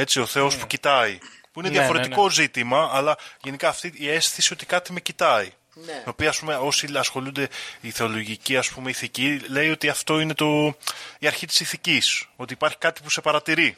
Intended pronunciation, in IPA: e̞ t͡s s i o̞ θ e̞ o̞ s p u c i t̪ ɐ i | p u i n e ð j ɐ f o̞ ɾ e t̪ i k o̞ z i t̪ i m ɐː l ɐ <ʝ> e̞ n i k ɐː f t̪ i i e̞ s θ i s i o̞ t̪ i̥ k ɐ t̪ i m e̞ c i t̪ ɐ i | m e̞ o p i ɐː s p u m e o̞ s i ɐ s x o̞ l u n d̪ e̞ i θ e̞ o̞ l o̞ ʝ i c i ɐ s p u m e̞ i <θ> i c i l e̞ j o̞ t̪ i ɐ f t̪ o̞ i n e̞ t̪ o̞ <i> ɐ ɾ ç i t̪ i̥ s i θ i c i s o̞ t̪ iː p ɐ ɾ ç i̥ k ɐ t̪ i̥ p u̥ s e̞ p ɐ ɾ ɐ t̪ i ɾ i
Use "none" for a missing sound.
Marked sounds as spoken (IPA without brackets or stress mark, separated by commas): ʝ, θ, i